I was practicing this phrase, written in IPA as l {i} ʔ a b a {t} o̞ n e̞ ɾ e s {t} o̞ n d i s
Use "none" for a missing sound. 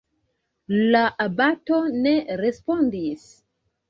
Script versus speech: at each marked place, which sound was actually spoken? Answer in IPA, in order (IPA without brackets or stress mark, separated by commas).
a, t, p